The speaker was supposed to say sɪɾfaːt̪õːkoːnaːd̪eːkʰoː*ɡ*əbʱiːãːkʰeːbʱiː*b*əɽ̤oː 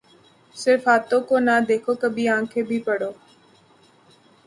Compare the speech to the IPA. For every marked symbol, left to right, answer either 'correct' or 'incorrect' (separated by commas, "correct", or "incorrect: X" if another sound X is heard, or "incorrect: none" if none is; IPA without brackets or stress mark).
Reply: incorrect: k, incorrect: p